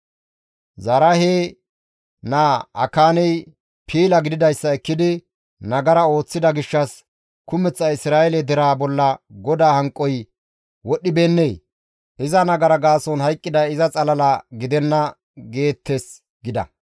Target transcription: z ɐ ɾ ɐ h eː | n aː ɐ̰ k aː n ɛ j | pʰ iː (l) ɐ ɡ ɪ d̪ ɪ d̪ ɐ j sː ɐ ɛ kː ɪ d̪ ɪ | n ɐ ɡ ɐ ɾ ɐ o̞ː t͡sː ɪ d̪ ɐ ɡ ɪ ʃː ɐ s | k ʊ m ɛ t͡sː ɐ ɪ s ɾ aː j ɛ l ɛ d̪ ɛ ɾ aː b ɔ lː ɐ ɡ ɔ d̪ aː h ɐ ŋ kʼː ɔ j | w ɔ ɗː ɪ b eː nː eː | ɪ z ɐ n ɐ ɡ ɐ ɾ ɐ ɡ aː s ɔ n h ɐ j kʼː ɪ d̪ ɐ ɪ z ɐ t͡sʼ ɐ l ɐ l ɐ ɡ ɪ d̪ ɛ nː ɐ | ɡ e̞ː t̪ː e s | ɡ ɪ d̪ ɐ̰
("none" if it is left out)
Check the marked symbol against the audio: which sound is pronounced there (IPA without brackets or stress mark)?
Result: l